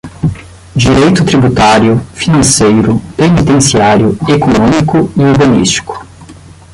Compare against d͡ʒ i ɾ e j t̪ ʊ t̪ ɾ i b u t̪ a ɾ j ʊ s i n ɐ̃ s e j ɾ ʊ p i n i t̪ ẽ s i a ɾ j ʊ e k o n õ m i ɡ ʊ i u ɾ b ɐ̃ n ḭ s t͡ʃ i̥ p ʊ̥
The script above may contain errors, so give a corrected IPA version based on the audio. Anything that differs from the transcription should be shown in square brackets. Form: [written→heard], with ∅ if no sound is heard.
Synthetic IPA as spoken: d͡ʒ i ɾ e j t̪ ʊ t̪ ɾ i b u t̪ a ɾ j ʊ [s→f] i n ɐ̃ s e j ɾ ʊ p [i→e] n i t̪ ẽ s i a ɾ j ʊ e k o n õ m i [ɡ→k] ʊ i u ɾ b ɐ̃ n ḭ s t͡ʃ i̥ [p→k] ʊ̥